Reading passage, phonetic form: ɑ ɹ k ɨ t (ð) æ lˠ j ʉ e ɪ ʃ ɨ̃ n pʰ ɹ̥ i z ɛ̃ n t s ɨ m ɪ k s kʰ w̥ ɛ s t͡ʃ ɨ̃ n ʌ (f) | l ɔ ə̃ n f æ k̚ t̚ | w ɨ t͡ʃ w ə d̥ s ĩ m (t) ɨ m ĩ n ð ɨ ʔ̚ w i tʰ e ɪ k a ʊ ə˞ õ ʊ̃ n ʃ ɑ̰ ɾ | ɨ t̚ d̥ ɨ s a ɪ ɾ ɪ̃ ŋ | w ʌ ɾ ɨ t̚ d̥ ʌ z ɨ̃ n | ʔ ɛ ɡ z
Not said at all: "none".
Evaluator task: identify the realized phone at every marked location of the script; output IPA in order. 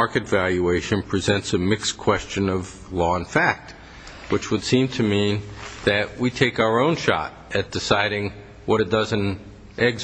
v, v, tʰ

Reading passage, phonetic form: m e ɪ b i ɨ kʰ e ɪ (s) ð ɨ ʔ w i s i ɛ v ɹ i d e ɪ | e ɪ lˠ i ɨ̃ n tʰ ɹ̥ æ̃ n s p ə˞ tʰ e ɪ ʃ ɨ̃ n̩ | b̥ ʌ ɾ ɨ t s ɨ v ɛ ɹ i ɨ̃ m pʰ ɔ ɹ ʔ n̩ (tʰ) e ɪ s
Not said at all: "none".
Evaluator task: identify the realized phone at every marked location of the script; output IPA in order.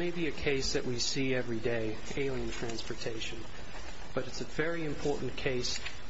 s, kʰ

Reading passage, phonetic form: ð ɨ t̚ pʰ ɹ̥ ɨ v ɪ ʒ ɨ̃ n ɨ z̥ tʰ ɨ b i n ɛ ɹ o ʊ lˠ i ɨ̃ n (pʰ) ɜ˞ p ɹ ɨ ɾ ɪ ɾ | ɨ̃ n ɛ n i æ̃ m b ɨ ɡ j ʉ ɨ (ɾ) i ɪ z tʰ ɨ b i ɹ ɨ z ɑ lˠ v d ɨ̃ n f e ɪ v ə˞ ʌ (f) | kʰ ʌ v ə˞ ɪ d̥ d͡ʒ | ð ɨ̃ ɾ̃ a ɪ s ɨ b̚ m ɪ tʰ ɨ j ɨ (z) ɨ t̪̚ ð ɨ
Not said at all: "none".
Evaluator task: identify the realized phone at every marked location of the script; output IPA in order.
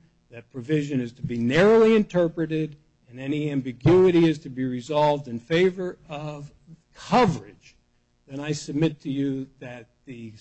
tʰ, ɾ, v, ð

